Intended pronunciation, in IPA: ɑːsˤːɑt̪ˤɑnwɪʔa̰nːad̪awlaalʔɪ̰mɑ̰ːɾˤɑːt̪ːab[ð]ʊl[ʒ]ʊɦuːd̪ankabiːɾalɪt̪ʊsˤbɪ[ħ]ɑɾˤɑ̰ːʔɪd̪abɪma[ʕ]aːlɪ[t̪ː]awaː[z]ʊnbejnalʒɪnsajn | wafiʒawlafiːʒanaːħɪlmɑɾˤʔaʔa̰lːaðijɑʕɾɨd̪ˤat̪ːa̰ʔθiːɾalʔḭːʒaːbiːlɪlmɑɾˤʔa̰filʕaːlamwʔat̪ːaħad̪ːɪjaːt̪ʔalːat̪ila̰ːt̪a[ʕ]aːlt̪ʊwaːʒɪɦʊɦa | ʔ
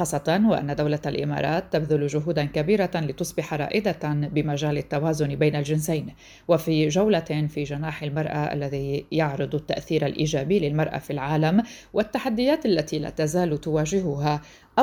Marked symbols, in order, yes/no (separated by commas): yes, yes, yes, no, yes, yes, no